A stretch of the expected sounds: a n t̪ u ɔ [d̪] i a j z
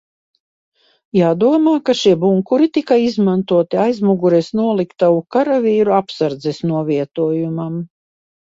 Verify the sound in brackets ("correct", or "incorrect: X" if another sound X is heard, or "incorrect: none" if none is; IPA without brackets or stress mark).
incorrect: t̪